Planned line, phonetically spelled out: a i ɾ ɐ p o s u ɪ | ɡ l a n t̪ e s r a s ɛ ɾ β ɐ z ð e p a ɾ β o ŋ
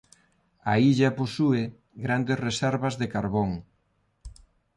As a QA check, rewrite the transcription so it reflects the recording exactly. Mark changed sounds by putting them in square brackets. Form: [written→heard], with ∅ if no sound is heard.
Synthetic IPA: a i [ɾ→ʎ] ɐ p o s u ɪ | ɡ [l→ɾ] a n [t̪→d̪] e s r [a→e] s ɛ ɾ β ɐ z ð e [p→k] a ɾ β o ŋ